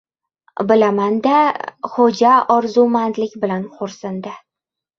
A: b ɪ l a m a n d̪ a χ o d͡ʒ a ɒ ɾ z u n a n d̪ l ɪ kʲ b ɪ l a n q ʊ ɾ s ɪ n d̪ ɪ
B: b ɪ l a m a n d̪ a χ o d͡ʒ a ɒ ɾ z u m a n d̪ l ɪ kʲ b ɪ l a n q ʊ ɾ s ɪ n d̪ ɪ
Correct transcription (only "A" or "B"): B